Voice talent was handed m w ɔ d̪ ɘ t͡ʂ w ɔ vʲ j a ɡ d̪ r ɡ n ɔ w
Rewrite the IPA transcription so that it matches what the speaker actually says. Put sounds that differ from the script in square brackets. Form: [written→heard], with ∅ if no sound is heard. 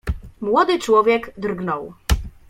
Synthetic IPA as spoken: m w ɔ d̪ ɘ t͡ʂ w ɔ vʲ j [a→ɛ] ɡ d̪ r ɡ n ɔ w